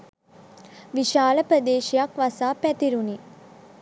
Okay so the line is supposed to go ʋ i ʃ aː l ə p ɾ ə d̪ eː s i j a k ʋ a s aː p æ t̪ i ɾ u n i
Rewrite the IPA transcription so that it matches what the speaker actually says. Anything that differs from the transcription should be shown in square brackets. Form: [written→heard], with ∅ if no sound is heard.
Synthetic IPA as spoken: ʋ i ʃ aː l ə p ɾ ə d̪ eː [s→ʃ] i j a k ʋ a s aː p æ t̪ i ɾ u n i